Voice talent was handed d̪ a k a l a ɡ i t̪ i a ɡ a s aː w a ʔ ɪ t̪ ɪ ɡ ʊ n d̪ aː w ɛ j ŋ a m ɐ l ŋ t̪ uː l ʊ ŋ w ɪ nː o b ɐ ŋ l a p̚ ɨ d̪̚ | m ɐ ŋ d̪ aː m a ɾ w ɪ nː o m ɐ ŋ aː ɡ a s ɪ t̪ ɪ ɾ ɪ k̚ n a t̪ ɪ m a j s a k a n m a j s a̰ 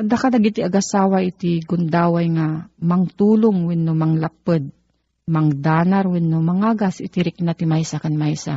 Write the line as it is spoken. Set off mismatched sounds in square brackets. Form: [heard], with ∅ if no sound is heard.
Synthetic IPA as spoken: d̪ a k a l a ɡ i t̪ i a ɡ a s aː w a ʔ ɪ t̪ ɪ ɡ ʊ n d̪ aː w [a] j ŋ a m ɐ [∅] ŋ t̪ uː l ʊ ŋ w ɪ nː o [m] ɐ ŋ l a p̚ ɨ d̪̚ | m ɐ ŋ d̪ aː [n] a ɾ w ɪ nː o m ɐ ŋ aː ɡ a s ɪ t̪ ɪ ɾ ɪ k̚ n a t̪ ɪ m a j s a k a n m a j s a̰